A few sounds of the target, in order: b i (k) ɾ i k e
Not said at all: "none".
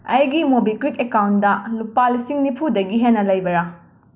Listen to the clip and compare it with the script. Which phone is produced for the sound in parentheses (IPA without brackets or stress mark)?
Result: k